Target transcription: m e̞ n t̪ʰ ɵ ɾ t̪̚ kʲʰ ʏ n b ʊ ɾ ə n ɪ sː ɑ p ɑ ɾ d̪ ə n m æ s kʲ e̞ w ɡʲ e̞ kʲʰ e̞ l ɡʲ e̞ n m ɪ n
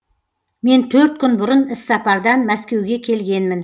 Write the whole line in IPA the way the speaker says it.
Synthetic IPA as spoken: m e̞ n t̪ʰ ɵ ɾ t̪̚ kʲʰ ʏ n b ʊ ɾ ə n ɪ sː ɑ p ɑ ɾ d̪ ɑ n m æ s kʲ e̞ w ɡʲ e̞ kʲʰ e̞ l ɡʲ e̞ n m ɪ n